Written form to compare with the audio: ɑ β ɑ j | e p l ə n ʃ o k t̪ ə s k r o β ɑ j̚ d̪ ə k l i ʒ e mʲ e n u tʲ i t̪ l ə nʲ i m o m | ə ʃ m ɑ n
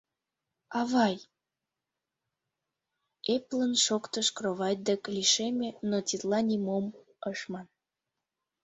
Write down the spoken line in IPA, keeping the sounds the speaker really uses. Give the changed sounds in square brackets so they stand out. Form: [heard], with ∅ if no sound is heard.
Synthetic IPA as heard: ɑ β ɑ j | e p l ə n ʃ o k t̪ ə [ʃ] k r o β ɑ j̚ d̪ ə k l i [ʃ] e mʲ e n [o] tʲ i t̪ l [ɑ] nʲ i m o m | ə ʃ m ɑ n